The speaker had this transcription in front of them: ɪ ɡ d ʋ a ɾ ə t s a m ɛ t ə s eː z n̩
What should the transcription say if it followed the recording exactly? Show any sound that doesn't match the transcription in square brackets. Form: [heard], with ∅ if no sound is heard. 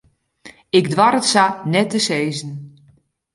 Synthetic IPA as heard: ɪ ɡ d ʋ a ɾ ə t s a [n] ɛ t ə s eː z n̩